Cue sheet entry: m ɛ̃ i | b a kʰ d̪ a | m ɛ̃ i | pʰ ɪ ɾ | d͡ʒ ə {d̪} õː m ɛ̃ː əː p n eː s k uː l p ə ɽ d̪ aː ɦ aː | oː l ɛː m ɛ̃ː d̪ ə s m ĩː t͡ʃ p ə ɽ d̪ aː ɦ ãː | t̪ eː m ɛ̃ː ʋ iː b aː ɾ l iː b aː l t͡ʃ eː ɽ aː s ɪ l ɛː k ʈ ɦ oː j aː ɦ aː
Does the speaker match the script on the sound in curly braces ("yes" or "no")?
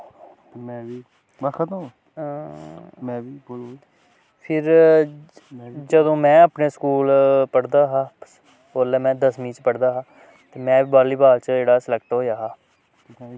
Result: yes